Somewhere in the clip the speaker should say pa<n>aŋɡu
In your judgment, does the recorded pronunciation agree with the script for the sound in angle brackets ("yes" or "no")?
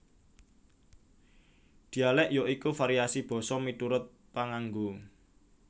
no